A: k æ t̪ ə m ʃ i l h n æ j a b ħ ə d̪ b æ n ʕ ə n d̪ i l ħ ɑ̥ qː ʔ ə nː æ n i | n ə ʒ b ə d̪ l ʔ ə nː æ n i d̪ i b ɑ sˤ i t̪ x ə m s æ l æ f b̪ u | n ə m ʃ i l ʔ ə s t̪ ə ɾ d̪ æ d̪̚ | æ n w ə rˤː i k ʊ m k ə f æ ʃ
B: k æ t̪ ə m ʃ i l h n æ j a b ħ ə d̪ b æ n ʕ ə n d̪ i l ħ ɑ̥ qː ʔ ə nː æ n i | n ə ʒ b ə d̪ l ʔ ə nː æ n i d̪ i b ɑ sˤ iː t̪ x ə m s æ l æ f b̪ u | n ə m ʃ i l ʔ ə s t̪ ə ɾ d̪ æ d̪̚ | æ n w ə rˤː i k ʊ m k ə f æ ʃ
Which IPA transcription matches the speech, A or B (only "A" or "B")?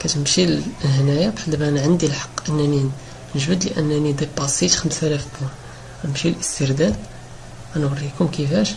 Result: A